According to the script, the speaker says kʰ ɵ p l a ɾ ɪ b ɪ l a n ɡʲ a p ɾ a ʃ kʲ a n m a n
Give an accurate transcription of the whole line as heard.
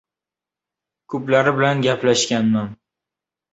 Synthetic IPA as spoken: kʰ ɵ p l a ɾ ɪ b ɪ l a n ɡʲ a p l a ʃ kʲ a n m a n

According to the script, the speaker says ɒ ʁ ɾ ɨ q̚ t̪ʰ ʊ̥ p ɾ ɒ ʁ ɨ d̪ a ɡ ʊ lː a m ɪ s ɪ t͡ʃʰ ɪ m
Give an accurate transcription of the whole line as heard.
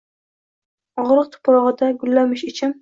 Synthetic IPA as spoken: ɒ ʁ ɾ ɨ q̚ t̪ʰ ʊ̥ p ɾ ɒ ʁ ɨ d̪ a ɡ ʊ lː a m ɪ ʃ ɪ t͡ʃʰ ɪ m

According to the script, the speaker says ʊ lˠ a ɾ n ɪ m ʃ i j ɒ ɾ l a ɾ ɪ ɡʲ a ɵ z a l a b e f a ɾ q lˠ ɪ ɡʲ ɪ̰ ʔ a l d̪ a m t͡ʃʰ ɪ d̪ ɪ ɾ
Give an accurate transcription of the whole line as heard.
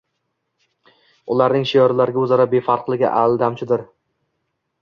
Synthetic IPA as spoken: ʊ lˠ a ɾ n ɪ ŋ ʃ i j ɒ ɾ l a ɾ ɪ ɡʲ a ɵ z a ɾ a b e f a ɾ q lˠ ɪ ɡʲ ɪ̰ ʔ a l d̪ a m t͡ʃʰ ɪ d̪ ɪ ɾ

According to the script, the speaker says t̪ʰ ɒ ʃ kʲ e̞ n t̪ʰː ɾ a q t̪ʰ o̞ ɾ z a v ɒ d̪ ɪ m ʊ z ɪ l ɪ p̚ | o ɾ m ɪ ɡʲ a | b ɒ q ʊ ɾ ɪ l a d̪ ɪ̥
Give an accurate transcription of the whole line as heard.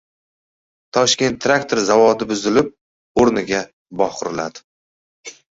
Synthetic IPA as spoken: t̪ʰ ɒ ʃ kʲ e̞ n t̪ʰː ɾ a k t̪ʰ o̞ ɾ z a v ɒ d̪ ɪ b ʊ z ɪ l ɪ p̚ | o ɾ n ɪ ɡʲ a | b ɒ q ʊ ɾ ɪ l a d̪ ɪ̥

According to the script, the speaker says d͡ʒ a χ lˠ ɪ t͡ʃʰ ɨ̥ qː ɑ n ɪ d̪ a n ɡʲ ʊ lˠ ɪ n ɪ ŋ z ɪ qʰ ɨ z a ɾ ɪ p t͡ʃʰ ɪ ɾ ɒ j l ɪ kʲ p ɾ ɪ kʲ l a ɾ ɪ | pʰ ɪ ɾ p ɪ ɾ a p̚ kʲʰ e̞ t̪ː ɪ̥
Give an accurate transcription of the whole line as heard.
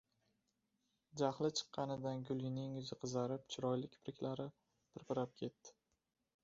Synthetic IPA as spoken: d͡ʒ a χ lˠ ɪ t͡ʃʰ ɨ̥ qː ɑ n ɪ d̪ a n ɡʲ ʊ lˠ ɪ n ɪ ŋ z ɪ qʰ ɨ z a ɾ ɪ p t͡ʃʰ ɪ ɾ ɒ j l ɪ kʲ p ɾ ɪ kʲ l a ɾ ɪ | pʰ ɪ ɾ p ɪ ɾ a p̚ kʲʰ e̞ t̪ː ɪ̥

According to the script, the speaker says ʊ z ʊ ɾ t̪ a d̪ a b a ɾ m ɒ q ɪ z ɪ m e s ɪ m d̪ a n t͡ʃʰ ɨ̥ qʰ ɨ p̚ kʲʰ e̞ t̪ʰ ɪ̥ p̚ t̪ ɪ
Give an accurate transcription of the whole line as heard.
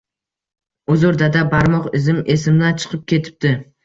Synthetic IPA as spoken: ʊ z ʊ ɾ d̪ a d̪ a b a ɾ m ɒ q ɪ z ɪ m e s ɪ m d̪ a n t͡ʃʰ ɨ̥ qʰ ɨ p̚ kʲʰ e̞ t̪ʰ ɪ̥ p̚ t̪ ɪ

